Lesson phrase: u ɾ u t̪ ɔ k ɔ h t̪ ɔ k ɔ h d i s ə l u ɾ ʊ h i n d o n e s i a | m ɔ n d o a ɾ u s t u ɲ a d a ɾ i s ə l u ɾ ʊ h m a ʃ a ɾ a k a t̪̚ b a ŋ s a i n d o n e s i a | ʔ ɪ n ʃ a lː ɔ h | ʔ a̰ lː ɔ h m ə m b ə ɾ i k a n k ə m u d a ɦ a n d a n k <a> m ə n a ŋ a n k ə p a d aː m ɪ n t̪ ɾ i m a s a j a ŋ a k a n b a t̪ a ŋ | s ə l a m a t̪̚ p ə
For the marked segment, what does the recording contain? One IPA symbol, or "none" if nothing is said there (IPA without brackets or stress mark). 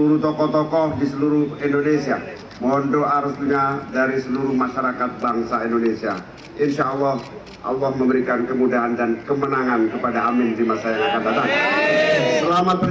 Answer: ə